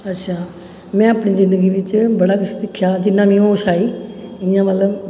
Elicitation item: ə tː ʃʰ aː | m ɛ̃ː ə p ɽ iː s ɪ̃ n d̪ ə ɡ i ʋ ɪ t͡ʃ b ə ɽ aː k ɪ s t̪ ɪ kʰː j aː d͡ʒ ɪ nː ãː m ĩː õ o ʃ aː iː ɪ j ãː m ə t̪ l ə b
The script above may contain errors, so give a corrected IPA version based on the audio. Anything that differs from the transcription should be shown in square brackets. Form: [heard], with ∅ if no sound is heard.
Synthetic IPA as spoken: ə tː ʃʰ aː | m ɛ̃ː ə p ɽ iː [z] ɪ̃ n d̪ ə ɡ i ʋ ɪ t͡ʃ b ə ɽ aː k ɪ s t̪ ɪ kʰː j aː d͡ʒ ɪ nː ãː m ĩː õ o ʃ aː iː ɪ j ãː m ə t̪ l ə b